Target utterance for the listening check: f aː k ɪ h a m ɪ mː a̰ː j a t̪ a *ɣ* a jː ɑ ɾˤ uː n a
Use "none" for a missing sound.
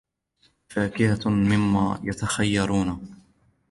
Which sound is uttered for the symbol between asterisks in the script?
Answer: x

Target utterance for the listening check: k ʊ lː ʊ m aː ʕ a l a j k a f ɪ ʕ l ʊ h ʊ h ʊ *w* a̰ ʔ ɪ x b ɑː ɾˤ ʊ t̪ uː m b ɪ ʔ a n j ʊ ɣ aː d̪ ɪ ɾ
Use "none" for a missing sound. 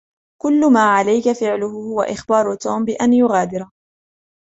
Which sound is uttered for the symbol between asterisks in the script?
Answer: w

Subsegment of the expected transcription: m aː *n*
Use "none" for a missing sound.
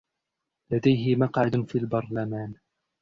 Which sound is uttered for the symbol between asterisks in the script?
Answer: n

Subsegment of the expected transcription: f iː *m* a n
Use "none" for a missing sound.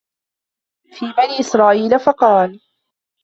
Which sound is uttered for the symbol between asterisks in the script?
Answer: b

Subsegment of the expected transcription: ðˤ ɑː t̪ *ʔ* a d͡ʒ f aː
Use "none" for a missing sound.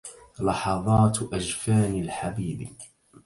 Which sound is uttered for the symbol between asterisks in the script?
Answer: ʔ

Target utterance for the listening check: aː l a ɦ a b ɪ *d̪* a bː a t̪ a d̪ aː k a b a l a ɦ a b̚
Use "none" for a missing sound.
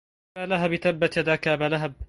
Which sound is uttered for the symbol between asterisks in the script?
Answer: t̪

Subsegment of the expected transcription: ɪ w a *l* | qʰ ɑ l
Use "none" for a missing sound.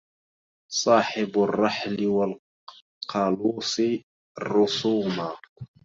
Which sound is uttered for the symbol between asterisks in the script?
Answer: l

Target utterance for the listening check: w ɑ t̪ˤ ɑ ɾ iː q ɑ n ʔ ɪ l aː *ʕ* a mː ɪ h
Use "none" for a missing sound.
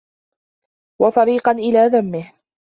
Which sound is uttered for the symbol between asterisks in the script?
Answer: ð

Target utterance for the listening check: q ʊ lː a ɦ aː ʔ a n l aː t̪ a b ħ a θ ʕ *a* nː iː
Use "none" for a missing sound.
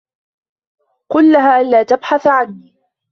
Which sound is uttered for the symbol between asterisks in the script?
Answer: a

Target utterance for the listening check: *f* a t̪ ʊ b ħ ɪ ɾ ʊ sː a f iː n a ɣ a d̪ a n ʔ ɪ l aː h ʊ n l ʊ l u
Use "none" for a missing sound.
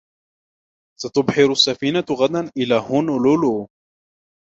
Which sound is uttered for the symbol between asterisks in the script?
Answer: s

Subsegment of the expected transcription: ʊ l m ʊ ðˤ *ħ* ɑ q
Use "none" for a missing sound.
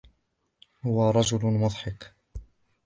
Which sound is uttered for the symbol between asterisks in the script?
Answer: ħ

